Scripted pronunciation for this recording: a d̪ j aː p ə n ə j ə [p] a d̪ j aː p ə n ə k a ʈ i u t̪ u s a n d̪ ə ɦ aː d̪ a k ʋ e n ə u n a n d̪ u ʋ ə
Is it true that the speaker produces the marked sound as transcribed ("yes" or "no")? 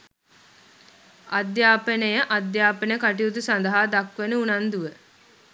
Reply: no